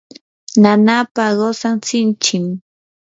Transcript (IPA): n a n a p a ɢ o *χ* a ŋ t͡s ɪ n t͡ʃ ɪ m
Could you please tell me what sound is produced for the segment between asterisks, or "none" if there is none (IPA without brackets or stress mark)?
s